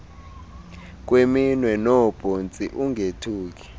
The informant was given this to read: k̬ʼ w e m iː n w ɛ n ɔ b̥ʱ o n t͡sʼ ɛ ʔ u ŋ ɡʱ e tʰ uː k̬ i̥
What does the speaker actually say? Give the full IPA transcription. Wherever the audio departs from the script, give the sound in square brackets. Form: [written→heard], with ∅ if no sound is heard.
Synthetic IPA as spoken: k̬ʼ w e m [iː→i] n w ɛ n ɔ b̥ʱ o n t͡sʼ [ɛ→i] ʔ u ŋ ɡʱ e tʰ uː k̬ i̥